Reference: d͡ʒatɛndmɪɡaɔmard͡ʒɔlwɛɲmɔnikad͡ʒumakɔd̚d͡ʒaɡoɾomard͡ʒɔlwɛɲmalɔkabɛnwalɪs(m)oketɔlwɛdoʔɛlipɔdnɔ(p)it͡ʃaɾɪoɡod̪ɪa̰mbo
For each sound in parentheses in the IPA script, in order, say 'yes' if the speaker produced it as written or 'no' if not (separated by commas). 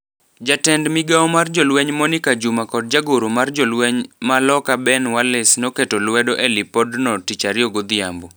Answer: no, no